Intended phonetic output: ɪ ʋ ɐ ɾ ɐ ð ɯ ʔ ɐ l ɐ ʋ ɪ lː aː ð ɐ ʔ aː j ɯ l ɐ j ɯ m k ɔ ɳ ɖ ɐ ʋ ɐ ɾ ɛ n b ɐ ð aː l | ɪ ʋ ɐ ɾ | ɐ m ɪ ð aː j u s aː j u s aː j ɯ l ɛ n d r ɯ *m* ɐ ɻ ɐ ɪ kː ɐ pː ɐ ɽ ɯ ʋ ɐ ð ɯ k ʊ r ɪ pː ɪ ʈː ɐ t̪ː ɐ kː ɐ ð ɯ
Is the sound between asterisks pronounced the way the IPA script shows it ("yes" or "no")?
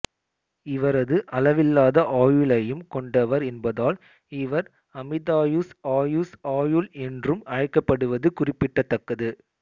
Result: yes